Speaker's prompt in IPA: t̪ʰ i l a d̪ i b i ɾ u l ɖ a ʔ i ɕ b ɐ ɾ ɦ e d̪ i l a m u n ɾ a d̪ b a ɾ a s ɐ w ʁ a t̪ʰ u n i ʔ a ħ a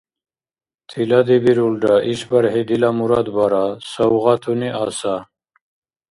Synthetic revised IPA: t̪ʰ i l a d̪ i b i ɾ u l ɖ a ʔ i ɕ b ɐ ɾ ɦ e d̪ i l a m u ɾ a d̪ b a ɾ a s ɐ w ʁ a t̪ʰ u n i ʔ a s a